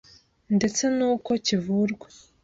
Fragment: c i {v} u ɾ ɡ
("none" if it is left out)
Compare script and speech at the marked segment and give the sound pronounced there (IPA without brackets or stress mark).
v